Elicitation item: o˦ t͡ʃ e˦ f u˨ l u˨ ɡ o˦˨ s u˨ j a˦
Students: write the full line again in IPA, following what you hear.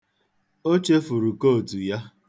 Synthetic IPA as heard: o˦ t͡ʃ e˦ f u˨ ɾ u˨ k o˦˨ t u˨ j a˦